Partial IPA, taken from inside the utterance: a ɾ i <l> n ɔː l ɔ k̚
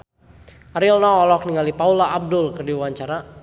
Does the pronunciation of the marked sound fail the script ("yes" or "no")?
no